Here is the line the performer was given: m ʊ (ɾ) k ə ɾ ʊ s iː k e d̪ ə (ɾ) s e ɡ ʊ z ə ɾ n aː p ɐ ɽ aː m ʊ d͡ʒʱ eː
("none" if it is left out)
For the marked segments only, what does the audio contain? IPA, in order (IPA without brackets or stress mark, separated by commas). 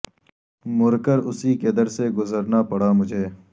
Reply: ɾ, ɾ